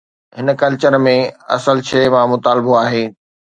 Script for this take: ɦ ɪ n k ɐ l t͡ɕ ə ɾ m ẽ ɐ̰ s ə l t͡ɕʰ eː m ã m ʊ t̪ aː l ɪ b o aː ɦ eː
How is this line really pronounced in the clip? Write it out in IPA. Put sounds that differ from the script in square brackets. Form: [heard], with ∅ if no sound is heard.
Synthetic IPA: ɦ ɪ n k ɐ l t͡ɕ ə ɾ m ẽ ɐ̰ s ə l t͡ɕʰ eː m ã m ʊ t̪ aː l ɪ b o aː ɦ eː